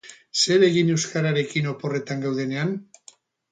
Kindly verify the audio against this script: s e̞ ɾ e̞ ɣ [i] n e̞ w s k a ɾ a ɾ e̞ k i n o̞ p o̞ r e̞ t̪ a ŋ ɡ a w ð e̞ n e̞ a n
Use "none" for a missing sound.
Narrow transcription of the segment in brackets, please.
i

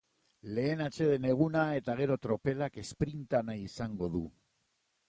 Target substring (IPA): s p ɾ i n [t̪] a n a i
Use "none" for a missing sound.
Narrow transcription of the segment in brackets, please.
t̪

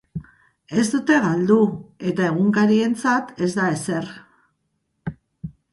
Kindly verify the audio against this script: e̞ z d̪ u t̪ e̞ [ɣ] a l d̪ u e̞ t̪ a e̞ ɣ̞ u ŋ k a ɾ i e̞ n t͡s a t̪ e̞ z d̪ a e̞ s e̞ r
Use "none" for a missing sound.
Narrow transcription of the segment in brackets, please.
ɣ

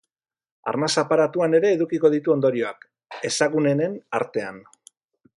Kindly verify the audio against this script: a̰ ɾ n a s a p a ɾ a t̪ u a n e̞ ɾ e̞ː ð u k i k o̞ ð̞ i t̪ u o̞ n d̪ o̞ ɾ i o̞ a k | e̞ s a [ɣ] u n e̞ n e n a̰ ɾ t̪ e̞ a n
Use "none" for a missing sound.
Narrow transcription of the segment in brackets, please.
ɣ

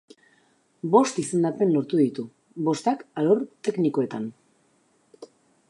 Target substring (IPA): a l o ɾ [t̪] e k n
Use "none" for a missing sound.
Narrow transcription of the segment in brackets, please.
t̪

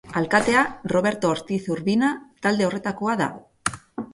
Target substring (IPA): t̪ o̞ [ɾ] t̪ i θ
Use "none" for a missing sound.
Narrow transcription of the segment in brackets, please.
ɾ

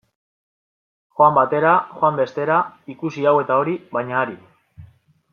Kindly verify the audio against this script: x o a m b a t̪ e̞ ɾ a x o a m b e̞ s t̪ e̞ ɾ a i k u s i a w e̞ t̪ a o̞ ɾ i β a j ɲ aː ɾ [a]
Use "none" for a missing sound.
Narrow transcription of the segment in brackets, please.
i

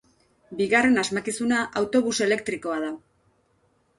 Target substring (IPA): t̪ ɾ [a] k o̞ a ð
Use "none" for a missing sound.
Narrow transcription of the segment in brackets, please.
i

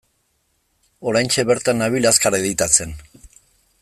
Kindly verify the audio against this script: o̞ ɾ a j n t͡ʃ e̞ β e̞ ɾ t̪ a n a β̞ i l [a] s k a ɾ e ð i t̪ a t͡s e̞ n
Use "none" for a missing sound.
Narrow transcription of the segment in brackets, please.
a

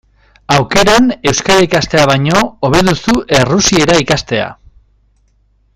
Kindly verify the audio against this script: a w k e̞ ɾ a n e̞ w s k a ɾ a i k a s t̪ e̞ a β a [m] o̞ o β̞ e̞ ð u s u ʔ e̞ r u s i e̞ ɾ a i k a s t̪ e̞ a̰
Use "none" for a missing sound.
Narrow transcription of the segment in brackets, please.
ɲ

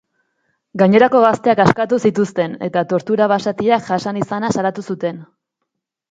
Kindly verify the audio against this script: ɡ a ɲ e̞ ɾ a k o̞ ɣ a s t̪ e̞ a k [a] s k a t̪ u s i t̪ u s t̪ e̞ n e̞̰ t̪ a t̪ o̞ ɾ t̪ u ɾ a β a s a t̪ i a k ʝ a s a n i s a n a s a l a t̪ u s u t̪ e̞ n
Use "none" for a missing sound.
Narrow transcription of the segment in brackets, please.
a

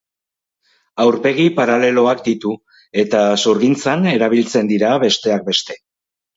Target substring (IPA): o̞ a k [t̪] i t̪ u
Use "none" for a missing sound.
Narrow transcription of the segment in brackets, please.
d̪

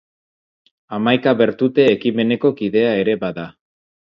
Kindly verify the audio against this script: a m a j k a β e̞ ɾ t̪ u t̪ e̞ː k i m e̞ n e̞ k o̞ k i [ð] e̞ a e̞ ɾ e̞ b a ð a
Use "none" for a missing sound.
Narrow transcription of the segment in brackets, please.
ð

